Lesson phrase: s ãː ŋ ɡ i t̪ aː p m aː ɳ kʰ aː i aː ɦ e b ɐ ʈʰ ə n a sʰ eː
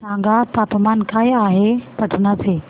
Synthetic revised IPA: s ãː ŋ ɡ a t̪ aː p m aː n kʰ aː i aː ɦ e p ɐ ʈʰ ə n a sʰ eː